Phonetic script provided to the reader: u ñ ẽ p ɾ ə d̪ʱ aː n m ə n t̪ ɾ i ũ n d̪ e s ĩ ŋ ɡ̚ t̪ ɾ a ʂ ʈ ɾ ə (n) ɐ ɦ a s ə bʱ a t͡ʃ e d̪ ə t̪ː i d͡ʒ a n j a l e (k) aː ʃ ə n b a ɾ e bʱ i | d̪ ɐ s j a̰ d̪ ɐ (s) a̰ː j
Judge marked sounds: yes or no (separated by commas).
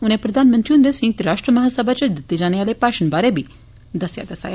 no, no, yes